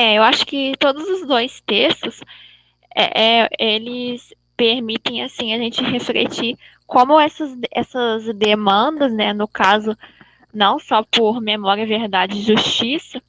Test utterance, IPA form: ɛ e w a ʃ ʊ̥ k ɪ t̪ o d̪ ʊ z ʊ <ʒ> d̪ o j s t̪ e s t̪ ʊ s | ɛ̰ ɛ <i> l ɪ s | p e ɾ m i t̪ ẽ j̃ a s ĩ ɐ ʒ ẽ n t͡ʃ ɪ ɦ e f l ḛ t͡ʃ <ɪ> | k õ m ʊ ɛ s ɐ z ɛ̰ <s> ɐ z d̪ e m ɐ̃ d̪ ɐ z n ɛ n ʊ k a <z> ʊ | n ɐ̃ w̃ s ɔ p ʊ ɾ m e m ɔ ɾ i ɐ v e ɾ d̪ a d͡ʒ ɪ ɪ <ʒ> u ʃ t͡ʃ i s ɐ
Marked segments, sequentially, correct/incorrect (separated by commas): incorrect, incorrect, incorrect, correct, correct, correct